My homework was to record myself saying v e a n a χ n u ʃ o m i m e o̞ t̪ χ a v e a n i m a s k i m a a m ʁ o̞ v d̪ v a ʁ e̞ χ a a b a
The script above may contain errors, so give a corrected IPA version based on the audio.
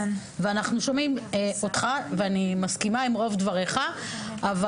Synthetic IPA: v e a n a χ n u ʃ o m i m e o̞ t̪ χ a v e a n i m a s k i m a i m ʁ o̞ v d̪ v a ʁ e̞ χ a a v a

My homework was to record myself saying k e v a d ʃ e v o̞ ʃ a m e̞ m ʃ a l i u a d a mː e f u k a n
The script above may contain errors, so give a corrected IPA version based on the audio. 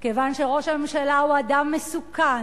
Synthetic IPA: k e v a n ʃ e ʁ o̞ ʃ a m e̞ m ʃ a l a u a d a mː e s u k a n

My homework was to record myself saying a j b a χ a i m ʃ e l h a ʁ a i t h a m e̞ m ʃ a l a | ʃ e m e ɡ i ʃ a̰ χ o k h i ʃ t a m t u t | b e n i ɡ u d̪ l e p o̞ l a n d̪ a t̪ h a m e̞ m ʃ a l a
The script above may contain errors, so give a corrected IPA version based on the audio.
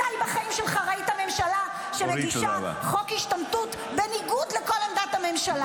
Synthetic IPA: a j b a χ a i m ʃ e l χ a ʁ a i t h a m e̞ m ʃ a l a | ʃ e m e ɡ i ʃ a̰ χ o k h i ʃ t a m t u t | b e n i ɡ u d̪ l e k o̞ l a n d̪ a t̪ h a m e̞ m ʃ a l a

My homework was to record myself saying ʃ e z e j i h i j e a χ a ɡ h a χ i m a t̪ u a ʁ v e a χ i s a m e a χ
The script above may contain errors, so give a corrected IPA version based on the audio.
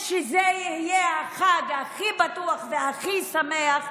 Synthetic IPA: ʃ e z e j i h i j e a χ a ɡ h a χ i b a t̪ u a χ v e a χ i s a m e a χ

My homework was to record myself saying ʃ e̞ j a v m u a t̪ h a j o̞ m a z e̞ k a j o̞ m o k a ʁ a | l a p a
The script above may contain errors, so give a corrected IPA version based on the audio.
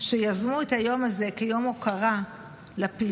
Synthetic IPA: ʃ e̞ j a z m u e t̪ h a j o̞ m a z e̞ k e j o̞ m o k a ʁ a | l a p i

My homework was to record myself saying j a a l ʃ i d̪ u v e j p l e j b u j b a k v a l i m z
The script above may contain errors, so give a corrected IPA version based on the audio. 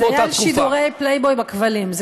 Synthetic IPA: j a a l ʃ i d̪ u ʁ e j p l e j b o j b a k v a l i m z

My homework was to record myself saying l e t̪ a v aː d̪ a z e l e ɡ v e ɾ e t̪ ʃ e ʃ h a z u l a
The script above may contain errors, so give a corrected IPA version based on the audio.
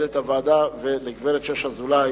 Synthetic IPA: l e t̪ a v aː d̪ a v e l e ɡ v e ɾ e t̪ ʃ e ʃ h a z u l a

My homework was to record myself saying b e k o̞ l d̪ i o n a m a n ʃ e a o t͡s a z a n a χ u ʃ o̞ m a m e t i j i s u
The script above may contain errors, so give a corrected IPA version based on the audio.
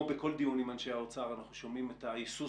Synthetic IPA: b e k o̞ l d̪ i u n i m a n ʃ e a o t͡s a ʁ a n a χ u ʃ o̞ m i m e t a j i s u

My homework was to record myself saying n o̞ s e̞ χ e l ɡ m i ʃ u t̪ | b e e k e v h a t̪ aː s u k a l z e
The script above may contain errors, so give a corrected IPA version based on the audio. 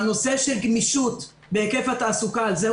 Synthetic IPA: n o̞ s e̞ ʃ e l ɡ m i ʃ u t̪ | b e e k e f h a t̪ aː s u k a l z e

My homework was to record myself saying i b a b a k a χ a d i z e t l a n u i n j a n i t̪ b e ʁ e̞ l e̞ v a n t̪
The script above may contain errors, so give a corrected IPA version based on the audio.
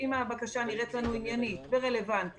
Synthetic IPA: i m a b a k a ʃ a n i ʁ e t l a n u i n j a n i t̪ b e ʁ e̞ l e̞ v a n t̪

